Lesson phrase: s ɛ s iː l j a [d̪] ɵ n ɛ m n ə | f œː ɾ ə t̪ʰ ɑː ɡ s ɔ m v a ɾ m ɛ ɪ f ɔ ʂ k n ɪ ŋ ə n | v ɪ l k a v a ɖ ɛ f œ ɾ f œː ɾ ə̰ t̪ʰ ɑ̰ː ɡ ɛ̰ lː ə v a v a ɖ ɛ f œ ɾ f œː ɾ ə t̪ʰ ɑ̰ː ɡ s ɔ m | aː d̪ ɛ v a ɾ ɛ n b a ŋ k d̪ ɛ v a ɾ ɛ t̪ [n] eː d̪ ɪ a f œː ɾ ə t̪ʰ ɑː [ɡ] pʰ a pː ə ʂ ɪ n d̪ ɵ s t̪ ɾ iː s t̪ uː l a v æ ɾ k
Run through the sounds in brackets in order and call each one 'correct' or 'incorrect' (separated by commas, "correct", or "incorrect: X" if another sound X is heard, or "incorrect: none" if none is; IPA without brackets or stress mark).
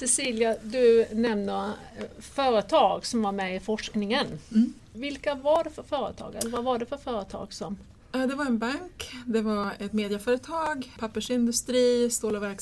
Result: correct, incorrect: m, correct